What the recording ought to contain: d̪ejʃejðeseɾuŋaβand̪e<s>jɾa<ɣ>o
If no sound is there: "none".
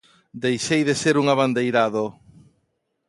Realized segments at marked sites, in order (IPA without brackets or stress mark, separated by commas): none, ð